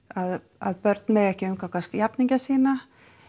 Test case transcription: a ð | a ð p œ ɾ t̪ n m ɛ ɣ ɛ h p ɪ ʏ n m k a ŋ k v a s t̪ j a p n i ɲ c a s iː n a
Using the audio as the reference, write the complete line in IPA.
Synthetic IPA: a ð | a ð p œ ɾ t̪ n m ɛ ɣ ɛ h c ɪ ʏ m k a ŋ k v a s t̪ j a p n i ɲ c a s iː n a